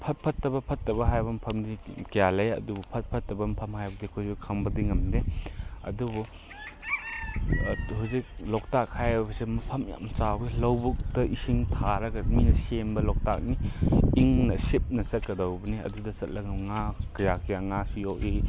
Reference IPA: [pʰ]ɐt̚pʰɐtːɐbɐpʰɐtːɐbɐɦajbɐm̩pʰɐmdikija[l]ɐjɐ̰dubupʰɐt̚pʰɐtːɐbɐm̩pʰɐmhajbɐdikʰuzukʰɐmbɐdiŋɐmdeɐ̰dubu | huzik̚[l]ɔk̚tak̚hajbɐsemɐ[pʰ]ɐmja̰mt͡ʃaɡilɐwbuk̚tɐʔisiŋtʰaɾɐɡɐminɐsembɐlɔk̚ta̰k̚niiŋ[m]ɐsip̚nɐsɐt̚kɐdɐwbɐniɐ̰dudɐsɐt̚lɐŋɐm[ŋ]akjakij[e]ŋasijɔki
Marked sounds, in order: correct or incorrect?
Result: correct, correct, correct, correct, incorrect, correct, incorrect

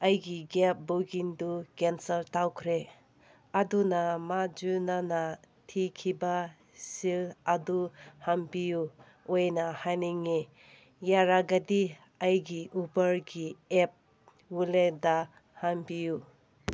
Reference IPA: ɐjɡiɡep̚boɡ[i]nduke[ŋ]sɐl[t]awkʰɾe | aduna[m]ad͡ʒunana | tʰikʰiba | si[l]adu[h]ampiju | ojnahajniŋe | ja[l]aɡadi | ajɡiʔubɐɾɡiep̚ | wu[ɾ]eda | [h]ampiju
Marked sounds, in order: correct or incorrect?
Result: correct, incorrect, correct, correct, correct, correct, incorrect, incorrect, correct

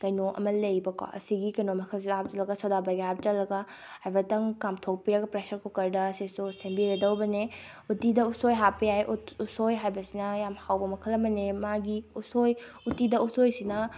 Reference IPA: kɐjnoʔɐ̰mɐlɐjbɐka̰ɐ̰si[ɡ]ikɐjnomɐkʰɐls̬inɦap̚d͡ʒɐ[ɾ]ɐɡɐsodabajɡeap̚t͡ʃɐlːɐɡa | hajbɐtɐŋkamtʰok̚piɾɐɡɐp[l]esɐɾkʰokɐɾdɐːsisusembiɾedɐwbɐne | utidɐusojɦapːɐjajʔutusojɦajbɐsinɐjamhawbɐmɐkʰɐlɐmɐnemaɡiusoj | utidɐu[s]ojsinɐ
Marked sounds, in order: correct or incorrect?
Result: correct, incorrect, incorrect, correct

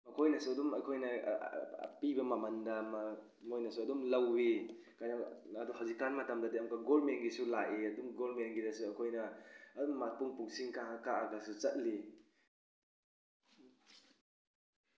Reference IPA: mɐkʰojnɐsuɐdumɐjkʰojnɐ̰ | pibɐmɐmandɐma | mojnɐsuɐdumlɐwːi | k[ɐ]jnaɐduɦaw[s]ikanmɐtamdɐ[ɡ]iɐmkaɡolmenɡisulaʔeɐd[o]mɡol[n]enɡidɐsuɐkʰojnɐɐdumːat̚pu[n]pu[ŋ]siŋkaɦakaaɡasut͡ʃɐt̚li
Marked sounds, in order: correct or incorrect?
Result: incorrect, incorrect, incorrect, incorrect, incorrect, incorrect, correct

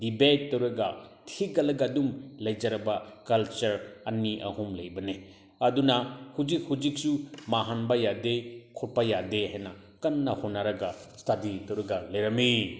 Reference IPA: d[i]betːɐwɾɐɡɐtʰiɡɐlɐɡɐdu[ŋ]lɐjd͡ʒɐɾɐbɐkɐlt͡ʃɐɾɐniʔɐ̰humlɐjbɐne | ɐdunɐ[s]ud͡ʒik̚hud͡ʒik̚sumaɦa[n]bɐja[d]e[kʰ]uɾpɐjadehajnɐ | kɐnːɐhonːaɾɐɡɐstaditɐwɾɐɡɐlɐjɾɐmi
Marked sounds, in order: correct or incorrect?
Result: correct, incorrect, incorrect, correct, correct, correct

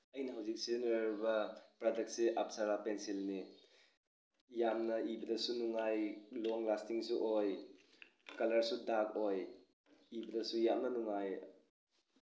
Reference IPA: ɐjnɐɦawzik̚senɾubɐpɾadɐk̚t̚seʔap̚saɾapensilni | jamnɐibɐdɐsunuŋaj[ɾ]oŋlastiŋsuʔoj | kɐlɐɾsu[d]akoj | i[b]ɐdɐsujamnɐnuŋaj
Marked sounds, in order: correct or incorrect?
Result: incorrect, correct, correct

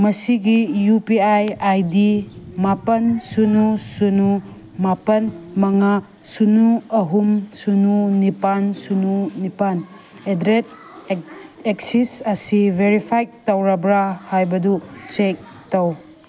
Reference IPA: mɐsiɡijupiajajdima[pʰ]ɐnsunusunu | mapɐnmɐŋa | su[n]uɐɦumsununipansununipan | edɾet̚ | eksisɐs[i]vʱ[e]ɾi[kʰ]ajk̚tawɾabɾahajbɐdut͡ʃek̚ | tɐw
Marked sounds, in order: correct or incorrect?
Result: incorrect, correct, correct, correct, incorrect

